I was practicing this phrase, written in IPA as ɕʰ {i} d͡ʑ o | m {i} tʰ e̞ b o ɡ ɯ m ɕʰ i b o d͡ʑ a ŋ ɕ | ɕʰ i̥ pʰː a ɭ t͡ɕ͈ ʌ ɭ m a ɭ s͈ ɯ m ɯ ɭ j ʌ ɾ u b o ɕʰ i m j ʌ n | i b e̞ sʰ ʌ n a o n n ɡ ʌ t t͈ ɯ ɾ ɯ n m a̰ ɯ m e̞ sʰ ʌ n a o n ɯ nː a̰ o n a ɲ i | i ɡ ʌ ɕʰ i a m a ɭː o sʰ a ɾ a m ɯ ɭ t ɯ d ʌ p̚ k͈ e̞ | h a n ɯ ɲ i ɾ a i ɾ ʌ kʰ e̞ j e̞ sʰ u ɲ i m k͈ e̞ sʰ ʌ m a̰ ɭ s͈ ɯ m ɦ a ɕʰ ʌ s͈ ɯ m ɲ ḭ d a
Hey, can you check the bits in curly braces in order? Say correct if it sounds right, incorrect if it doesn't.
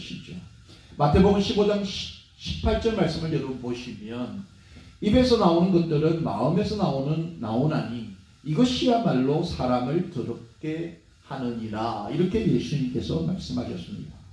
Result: correct, incorrect: a

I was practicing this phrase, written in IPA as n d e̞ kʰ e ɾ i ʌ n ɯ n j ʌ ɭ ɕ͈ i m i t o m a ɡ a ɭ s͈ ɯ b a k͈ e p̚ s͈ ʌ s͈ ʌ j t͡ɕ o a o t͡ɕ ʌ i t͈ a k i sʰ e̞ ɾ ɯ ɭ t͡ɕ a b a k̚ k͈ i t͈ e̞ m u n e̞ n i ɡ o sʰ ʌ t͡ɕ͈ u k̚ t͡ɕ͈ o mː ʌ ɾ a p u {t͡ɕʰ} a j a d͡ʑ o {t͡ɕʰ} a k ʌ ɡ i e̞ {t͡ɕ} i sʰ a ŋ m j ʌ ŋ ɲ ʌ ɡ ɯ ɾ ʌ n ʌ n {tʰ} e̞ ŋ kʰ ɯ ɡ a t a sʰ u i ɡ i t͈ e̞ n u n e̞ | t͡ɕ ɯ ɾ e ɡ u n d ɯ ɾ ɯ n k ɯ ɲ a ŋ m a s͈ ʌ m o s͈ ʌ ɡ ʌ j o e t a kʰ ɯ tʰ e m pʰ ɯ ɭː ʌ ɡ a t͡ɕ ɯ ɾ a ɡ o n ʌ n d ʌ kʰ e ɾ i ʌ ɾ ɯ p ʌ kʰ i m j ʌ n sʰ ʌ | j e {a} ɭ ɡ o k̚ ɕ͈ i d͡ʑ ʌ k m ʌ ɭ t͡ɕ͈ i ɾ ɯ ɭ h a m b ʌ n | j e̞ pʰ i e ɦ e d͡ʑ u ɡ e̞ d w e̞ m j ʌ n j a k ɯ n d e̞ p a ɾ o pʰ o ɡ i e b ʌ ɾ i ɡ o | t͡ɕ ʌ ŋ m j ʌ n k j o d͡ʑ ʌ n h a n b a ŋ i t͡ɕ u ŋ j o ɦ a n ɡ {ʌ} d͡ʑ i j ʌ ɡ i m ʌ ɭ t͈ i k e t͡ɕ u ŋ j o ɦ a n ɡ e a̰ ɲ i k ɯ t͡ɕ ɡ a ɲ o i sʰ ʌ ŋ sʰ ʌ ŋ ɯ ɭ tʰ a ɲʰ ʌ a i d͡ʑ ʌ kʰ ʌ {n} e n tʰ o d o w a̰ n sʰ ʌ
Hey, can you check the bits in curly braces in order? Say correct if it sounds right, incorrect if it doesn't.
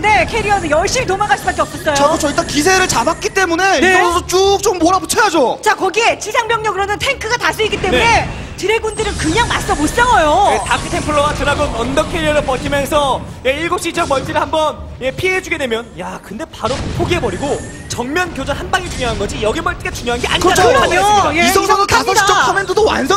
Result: correct, incorrect: t͡ɕ, correct, correct, incorrect: i, correct, incorrect: m

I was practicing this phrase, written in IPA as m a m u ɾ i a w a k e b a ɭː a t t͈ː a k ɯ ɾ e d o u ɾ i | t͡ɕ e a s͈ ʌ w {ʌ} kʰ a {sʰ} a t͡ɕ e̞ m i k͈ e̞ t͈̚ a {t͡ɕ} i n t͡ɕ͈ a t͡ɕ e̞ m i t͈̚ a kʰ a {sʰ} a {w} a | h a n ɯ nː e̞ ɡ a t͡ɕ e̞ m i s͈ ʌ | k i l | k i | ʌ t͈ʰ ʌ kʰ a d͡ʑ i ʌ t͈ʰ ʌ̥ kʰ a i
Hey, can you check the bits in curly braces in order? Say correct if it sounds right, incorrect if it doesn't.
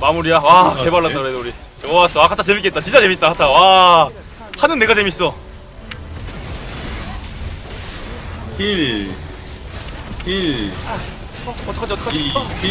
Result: incorrect: a, incorrect: tʰ, correct, incorrect: tʰ, correct

